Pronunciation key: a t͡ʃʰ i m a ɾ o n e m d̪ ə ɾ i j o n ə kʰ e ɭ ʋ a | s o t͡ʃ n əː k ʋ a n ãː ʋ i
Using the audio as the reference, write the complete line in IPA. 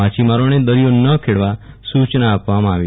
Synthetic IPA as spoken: a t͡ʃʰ i m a ɾ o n e d̪ ə ɾ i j o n ə kʰ e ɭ ʋ a | s u t͡ʃ n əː p ʋ a m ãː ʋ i